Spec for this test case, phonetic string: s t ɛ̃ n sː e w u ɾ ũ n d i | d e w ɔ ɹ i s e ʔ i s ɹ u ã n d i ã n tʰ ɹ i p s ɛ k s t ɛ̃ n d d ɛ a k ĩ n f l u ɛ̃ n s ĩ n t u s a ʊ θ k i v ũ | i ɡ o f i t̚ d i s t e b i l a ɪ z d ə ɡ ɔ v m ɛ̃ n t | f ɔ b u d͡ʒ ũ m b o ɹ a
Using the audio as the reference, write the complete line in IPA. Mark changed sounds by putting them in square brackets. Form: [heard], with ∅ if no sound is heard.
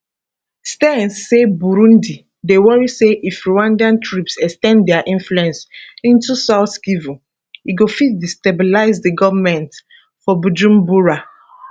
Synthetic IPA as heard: s t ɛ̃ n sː e [b] u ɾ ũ n d i | d e w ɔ ɹ i s e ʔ i [f] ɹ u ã n d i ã n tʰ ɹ i p s ɛ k s t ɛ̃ n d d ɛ a [ʔ] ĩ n f l u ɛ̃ n s ĩ n t u s a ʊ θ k i v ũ | i ɡ o f i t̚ d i s t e b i l a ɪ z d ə ɡ ɔ v m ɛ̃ n t | f ɔ b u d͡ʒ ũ m b [u] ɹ a